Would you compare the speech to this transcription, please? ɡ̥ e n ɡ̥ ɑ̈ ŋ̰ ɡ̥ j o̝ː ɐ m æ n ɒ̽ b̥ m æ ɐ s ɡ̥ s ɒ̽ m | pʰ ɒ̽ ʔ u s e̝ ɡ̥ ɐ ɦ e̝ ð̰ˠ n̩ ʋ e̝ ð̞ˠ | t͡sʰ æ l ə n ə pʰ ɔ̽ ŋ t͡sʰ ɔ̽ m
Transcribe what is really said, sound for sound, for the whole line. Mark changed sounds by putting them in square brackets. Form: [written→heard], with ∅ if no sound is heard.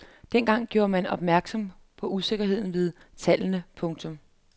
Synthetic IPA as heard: [ɡ̥→d̥] e n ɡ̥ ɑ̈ ŋ̰ ɡ̥ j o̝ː ɐ m æ n ɒ̽ b̥ m æ ɐ [s→∅] ɡ̥ s ɒ̽ m | pʰ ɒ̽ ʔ u s e̝ ɡ̥ ɐ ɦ e̝ ð̰ˠ n̩ ʋ e̝ ð̞ˠ | t͡sʰ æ l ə n ə pʰ ɔ̽ ŋ t͡sʰ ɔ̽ m